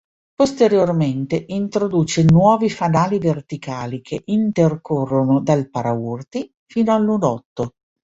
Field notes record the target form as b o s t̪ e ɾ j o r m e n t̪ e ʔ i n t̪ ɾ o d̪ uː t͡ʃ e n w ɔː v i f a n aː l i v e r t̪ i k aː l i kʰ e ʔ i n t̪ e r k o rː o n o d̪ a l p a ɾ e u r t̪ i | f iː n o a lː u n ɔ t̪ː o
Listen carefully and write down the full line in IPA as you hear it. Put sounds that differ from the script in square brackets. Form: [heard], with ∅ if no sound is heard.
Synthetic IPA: [p] o s t̪ e ɾ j o r m e n t̪ e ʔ i n t̪ ɾ o d̪ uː t͡ʃ e n w ɔː v i f a n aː l i v e r t̪ i k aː l i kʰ e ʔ i n t̪ e r k o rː o n o d̪ a l p a ɾ [a] u r t̪ i | f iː n o a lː u n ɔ t̪ː o